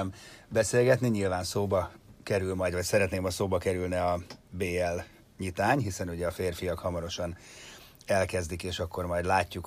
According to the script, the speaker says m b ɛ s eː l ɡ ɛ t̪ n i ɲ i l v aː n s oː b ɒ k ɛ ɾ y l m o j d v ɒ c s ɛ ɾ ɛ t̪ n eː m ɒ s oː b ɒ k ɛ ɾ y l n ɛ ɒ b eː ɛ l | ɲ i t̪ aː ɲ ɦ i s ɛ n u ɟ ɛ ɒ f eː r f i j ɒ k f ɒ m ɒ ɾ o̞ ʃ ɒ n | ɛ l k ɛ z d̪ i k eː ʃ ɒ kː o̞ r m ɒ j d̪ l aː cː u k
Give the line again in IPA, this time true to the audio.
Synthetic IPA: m b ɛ s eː l ɡ ɛ t̪ n i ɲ i l v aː n s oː b ɒ k ɛ ɾ y l m ɒ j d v ɒ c s ɛ ɾ ɛ t̪ n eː m ɒ s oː b ɒ k ɛ ɾ y l n ɛ ɒ b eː ɛ l | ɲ i t̪ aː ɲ ɦ i s ɛ n u ɟ ɛ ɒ f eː r f i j ɒ k h ɒ m ɒ ɾ o̞ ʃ ɒ n | ɛ l k ɛ z d̪ i k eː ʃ ɒ kː o̞ r m ɒ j d̪ l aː cː u k